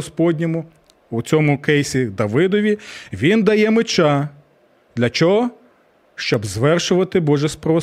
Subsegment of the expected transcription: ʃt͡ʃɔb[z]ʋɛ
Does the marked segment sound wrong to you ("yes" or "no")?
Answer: no